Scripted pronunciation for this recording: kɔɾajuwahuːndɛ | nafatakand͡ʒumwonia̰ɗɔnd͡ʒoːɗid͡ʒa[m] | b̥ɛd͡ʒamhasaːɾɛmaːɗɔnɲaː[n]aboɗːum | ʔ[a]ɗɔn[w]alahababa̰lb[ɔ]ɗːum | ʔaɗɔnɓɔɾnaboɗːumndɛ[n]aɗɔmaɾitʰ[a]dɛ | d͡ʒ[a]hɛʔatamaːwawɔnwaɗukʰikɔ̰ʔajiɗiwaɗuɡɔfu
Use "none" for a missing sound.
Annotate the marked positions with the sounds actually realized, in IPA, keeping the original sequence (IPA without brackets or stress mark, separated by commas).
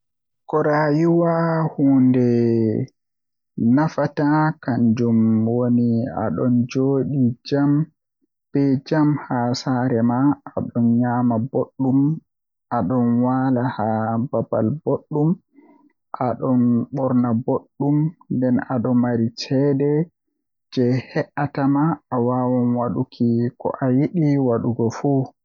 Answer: m, m, a, w, o, n, ɛ, ɛ